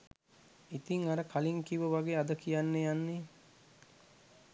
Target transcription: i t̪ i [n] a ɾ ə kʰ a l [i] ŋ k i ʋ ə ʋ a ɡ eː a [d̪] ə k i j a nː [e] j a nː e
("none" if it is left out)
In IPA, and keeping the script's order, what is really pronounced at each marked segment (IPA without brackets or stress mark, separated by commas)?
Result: ŋ, i, d̪, e